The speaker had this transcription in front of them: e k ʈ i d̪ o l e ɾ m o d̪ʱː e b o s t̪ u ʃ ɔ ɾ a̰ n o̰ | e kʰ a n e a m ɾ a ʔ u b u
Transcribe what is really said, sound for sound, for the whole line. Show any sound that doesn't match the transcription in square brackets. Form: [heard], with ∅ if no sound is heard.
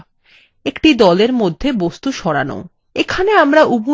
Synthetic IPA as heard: e k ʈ i d̪ [ɔ] l e ɾ m o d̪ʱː e b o s t̪ u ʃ ɔ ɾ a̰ n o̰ | e kʰ a n e a m ɾ a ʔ u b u